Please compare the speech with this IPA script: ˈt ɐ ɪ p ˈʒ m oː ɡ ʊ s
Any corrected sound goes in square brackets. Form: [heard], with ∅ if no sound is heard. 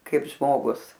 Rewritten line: [ˈk] ɐ ɪ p ˈʒ m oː ɡ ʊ s